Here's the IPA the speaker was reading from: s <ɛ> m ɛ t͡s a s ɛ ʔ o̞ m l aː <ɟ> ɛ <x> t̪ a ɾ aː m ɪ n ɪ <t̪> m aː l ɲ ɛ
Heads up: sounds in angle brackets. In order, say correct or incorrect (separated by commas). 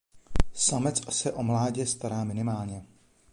incorrect, correct, incorrect, incorrect